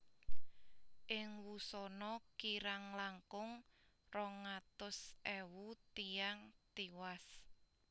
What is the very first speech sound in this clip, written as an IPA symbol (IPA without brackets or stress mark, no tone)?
ʔ